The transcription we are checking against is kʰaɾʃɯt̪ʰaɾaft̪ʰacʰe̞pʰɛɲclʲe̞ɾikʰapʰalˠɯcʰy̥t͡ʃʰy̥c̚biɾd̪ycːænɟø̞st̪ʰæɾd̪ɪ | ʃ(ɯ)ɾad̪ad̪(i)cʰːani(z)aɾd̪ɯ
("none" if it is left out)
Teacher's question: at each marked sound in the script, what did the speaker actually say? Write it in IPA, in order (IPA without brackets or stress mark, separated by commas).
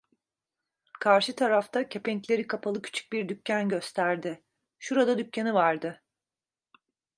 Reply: u, y, v